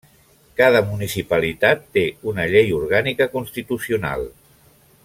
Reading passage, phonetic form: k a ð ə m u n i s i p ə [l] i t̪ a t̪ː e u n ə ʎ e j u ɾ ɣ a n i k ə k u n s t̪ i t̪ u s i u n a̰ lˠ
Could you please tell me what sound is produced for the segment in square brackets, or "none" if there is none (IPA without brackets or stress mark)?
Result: l